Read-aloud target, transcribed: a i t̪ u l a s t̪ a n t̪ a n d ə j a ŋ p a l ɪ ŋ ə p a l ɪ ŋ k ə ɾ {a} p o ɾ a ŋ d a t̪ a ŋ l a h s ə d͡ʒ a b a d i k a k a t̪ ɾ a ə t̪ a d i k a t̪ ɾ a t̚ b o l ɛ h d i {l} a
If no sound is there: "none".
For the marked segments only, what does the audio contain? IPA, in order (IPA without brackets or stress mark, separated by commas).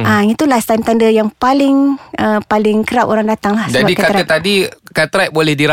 a, ɾ